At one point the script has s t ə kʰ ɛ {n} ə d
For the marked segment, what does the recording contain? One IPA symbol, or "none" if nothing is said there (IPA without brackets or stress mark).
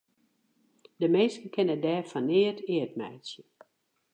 n